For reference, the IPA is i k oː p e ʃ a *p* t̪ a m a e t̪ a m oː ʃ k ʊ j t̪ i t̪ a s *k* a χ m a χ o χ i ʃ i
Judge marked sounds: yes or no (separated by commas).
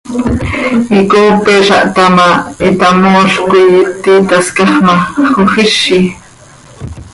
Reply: no, yes